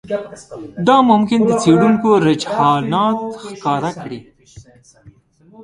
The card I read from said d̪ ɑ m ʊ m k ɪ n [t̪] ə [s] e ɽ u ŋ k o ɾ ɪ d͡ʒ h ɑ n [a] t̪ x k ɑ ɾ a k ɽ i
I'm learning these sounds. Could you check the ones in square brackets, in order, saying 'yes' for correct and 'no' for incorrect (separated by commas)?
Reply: no, no, no